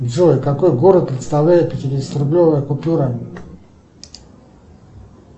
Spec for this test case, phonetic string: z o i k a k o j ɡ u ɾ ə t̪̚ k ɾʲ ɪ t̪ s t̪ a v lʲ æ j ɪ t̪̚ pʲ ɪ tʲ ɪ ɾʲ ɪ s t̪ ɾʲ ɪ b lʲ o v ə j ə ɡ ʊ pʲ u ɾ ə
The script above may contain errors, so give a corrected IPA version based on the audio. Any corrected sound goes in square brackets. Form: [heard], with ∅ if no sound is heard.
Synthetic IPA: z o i k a k o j ɡ [o] ɾ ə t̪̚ [p] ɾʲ ɪ t̪ s t̪ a v lʲ æ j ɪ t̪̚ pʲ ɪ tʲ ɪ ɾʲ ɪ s t̪ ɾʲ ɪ b lʲ o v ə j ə [k] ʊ pʲ u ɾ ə